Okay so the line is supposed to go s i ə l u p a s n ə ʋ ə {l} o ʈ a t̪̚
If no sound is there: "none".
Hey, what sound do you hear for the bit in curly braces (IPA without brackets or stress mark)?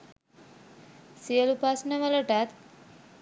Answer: l